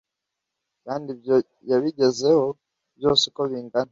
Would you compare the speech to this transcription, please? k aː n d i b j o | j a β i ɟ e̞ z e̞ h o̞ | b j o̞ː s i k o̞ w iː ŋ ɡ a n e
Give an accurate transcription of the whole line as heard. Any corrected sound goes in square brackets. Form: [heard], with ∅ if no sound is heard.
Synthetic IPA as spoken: k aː n d i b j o | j a β i ɟ e̞ z e̞ h o̞ | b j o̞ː s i k o̞ [β] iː ŋ ɡ a n [a]